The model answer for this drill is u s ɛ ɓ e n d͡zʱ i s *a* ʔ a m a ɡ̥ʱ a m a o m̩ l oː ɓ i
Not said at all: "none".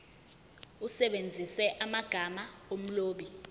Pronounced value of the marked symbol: ɛ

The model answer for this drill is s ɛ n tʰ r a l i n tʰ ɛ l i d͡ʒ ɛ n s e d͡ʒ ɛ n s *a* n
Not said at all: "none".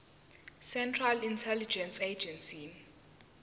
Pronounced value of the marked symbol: i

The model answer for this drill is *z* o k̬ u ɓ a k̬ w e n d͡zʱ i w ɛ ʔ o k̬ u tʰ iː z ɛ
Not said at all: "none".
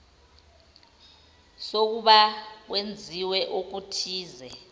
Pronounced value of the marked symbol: s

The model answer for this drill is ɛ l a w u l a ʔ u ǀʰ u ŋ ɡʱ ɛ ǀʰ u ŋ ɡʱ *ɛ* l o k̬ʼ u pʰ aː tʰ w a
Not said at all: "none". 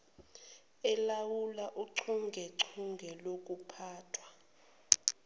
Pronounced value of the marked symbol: ɛ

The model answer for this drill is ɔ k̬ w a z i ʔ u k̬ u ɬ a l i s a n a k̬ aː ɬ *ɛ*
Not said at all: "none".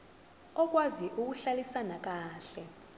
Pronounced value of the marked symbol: ɛ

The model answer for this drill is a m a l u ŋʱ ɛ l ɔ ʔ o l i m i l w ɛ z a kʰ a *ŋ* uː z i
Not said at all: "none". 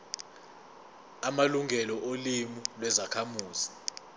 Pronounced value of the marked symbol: m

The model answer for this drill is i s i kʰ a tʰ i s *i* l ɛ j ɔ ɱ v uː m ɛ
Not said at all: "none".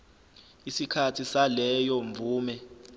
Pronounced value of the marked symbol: a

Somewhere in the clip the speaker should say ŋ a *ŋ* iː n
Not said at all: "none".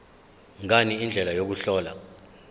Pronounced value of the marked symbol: n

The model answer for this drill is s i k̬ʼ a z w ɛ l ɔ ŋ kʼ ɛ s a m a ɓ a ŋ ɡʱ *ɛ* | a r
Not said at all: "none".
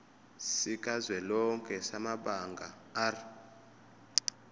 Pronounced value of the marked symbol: a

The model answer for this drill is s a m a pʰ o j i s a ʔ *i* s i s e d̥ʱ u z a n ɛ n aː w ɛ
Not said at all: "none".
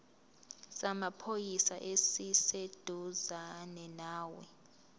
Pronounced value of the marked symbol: e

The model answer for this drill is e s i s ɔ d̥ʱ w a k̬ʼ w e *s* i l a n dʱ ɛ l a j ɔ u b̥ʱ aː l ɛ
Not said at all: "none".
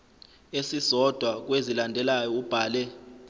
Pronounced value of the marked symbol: z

